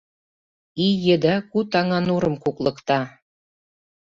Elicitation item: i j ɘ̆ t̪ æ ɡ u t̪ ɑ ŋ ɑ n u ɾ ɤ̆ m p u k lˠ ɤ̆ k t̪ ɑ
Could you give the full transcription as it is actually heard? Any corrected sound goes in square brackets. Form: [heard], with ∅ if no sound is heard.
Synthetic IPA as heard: i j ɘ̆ [d̪] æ [k] u t̪ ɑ ŋ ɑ n u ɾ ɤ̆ m [k] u k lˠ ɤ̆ k t̪ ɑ